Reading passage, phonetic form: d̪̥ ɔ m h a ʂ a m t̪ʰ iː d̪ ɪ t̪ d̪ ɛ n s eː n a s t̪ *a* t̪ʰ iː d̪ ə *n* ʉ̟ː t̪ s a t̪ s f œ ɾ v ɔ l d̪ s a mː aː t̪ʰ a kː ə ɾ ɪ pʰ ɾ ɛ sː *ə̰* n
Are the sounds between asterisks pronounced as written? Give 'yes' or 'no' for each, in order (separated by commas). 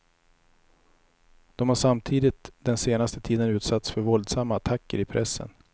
no, yes, yes